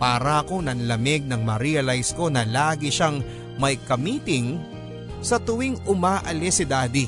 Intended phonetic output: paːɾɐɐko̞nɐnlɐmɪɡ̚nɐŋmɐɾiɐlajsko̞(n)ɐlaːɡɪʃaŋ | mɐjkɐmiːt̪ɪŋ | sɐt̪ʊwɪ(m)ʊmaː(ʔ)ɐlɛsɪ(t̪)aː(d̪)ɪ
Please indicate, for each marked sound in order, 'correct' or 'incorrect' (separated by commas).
correct, incorrect, correct, incorrect, correct